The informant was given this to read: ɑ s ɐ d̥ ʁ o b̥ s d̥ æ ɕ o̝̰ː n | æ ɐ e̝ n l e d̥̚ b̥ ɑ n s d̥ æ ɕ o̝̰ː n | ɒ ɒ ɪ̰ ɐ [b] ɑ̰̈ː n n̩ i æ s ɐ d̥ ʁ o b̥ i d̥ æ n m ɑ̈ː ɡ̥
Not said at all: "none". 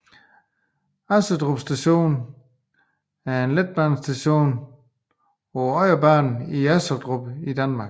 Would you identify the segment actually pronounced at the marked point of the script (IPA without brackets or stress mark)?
b